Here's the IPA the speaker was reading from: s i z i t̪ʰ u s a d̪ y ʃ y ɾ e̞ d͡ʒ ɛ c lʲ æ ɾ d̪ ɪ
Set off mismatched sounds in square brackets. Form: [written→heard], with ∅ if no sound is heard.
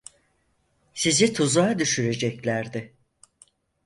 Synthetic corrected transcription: s i z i t̪ʰ u [s→z] a d̪ y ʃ y ɾ e̞ d͡ʒ ɛ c lʲ æ ɾ d̪ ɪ